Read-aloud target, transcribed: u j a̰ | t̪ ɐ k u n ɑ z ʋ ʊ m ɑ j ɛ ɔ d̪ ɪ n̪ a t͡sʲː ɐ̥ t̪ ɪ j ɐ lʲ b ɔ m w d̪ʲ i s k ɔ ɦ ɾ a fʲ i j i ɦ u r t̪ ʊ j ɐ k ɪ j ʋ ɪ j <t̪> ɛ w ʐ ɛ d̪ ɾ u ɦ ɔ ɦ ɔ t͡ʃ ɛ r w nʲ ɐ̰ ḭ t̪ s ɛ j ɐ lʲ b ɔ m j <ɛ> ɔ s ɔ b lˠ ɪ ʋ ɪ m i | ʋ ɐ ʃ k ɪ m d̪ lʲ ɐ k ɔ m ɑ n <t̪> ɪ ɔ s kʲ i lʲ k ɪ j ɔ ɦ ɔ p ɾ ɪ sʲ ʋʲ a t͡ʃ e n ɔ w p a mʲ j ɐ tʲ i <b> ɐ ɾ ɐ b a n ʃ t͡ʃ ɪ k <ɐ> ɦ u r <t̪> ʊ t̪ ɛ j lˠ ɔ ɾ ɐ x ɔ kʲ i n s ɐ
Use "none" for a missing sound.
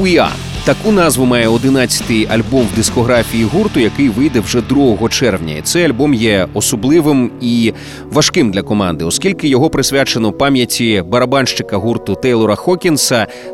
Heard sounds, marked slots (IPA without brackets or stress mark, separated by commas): d̪, ɛ, d̪, b, ɐ, t̪